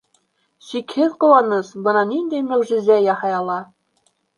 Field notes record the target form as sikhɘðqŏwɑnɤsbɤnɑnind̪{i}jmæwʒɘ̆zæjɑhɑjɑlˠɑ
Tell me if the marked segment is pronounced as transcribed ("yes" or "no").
no